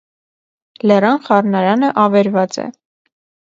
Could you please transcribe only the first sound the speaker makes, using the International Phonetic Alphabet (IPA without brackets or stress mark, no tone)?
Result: l